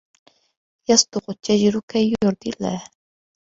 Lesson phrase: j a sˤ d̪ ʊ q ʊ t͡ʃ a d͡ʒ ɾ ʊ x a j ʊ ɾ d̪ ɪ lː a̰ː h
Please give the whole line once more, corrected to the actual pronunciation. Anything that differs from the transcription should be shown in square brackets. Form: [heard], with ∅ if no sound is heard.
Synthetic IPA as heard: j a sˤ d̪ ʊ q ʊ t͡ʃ a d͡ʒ ɾ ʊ [k] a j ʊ ɾ d̪ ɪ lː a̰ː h